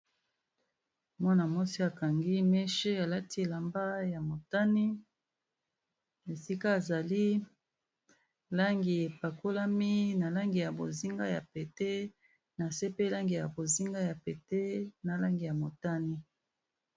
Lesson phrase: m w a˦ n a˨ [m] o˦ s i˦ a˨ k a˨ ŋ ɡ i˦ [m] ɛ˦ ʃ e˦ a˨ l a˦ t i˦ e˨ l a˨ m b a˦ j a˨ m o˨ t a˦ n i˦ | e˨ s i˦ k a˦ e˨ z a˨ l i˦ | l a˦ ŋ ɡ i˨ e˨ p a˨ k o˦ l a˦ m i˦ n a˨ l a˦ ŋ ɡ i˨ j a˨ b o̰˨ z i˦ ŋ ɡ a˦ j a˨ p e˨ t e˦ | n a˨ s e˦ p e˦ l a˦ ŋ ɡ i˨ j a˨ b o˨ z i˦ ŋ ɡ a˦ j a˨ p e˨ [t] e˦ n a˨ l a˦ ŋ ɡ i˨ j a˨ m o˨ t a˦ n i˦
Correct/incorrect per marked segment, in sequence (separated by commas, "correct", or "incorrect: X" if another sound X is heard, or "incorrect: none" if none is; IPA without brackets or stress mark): correct, correct, correct